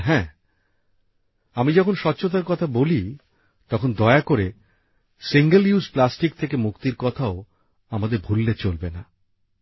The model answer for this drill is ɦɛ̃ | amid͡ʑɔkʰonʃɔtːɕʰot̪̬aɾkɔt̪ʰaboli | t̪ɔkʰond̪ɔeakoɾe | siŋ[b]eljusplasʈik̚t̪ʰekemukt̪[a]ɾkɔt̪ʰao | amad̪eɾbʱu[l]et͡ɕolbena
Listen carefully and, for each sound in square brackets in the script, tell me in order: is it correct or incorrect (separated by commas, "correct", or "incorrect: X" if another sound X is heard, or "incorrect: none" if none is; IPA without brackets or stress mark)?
incorrect: ɡ, incorrect: i, incorrect: lː